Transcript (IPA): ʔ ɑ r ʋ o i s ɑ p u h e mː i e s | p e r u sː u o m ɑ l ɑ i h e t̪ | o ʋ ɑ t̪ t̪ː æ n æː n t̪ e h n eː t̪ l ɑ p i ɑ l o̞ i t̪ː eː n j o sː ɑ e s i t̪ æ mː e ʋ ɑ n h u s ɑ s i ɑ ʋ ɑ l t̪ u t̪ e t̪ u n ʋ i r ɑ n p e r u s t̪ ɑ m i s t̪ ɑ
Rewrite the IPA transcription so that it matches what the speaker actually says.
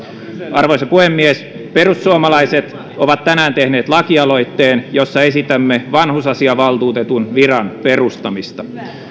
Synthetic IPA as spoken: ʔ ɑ r ʋ o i s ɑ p u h e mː i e s | p e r u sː u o m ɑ l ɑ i s e t̪ | o ʋ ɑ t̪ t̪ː æ n æː n t̪ e h n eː t̪ l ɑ k i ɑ l o̞ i t̪ː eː n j o sː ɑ e s i t̪ æ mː e ʋ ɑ n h u s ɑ s i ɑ ʋ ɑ l t̪ uː t̪ e t̪ u n ʋ i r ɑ n p e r u s t̪ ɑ m i s t̪ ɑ